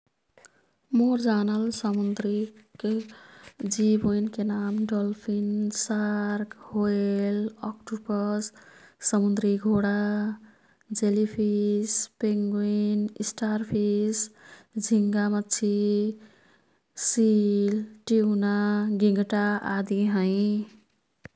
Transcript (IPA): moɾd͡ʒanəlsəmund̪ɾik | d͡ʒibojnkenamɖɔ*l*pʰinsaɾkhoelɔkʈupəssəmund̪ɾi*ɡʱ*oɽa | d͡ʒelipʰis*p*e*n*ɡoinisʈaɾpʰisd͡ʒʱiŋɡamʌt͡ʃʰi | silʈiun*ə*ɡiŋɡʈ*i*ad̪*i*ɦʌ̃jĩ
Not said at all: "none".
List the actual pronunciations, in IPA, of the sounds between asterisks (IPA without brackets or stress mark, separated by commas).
l, ɡʱ, p, ŋ, a, a, i